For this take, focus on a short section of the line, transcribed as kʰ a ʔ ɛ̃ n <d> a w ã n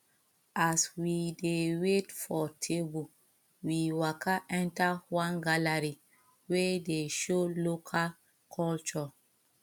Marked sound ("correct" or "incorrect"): incorrect